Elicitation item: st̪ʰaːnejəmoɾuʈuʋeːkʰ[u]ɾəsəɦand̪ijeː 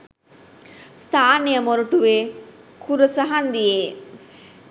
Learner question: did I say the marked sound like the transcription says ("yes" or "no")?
yes